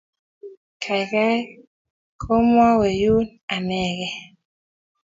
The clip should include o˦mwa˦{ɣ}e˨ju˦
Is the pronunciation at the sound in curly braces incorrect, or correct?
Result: incorrect